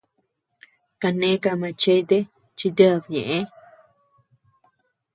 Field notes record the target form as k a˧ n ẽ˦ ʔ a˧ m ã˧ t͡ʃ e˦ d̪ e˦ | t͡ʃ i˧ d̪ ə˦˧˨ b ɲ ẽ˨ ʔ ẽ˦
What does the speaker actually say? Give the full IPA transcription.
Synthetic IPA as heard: k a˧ n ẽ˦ k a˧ m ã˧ t͡ʃ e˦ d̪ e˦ | t͡ʃ i˧ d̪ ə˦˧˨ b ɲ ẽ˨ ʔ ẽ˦